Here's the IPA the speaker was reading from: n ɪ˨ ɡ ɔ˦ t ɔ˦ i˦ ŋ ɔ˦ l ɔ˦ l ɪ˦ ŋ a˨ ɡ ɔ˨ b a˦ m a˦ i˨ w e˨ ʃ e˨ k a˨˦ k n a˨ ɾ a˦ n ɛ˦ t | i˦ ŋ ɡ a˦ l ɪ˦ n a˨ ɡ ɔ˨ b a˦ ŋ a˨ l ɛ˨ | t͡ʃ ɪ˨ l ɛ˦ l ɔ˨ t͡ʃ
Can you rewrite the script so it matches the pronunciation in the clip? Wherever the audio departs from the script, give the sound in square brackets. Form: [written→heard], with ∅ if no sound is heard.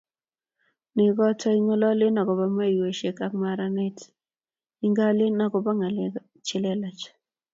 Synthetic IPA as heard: n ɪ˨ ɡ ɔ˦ t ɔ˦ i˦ ŋ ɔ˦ l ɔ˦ l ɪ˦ [ŋ→n] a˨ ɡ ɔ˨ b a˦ m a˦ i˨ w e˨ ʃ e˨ k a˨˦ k [n→m] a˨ ɾ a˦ n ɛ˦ t | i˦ ŋ ɡ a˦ l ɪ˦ n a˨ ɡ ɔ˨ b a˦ ŋ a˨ l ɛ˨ | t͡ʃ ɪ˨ l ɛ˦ l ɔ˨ t͡ʃ